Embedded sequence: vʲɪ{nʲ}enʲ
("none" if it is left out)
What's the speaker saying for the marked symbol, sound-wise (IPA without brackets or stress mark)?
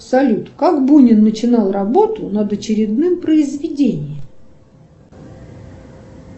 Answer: dʲ